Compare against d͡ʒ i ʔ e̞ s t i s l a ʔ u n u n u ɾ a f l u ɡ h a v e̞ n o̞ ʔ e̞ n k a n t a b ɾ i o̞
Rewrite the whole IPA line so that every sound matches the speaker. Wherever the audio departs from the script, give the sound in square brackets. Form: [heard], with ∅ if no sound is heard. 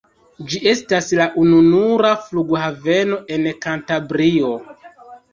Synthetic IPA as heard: d͡ʒ i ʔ e̞ s t [a] s l a ʔ u n u n u ɾ a f l u ɡ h a v e̞ n o̞ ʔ e̞ n k a n t a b ɾ i o̞